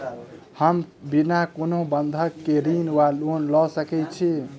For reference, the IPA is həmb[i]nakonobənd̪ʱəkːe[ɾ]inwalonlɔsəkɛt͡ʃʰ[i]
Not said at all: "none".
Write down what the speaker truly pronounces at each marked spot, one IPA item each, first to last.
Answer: i, ɾ, i

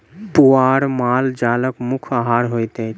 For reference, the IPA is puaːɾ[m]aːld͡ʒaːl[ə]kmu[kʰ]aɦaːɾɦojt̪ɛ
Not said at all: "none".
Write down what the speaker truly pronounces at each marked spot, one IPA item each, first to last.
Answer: m, ə, kʰ

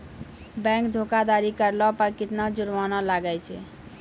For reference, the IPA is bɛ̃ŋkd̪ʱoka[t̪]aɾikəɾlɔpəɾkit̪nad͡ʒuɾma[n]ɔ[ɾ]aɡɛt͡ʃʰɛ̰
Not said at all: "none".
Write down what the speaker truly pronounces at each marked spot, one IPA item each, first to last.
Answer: d̪, n, l

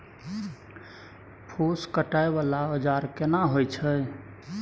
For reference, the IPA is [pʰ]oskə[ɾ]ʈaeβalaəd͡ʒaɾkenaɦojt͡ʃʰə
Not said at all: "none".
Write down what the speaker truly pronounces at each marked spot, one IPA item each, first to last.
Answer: pʰ, none

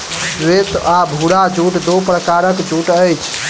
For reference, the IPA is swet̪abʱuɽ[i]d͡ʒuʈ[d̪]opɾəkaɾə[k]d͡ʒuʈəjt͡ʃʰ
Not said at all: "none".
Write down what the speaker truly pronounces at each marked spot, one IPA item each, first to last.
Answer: a, d̪, k

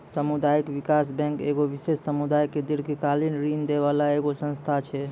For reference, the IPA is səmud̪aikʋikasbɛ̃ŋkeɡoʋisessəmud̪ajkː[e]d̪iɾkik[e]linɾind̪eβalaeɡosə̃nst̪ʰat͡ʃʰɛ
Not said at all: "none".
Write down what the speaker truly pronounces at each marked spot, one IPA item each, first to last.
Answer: e, a

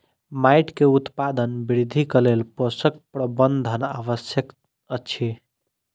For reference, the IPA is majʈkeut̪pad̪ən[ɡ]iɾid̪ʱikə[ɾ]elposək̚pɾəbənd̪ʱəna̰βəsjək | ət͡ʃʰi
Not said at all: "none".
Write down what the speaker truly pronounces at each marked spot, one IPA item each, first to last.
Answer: b, l

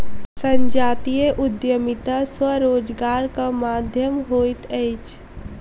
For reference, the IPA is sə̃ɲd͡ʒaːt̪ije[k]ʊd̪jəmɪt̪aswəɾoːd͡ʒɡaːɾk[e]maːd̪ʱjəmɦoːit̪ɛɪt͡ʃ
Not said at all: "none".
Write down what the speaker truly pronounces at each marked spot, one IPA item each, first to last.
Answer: ʔ, a

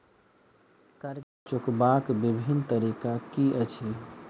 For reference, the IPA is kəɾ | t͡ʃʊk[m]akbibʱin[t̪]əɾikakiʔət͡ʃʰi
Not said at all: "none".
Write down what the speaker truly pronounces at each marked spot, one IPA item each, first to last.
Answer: b, t̪

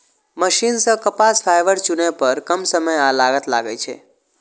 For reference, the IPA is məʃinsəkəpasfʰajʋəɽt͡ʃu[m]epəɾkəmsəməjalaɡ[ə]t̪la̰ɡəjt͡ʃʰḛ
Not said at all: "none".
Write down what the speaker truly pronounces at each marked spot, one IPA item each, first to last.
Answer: n, ə

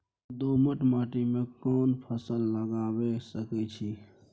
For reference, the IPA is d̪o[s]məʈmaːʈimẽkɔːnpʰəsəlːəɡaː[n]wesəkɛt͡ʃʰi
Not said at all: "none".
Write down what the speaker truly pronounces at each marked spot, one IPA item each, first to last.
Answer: none, none

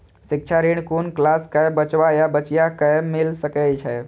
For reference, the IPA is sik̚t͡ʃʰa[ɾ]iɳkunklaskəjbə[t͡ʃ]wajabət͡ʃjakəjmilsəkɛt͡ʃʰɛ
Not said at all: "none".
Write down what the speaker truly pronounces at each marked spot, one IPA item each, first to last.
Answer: ɾ, t͡ʃ

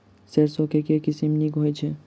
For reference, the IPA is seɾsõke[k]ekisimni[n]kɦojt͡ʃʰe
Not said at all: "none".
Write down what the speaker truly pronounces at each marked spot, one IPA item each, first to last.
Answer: k, none

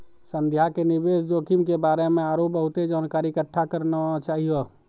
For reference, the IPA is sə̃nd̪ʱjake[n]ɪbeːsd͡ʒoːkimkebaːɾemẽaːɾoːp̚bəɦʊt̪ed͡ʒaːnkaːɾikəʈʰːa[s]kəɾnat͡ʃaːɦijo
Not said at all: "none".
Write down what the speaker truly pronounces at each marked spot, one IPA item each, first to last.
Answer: n, none

